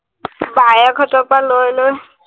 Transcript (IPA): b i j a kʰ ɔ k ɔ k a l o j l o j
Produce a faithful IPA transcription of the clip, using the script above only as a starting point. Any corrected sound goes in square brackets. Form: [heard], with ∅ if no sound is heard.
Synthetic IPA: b [a] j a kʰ ɔ [t] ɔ [p] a l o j l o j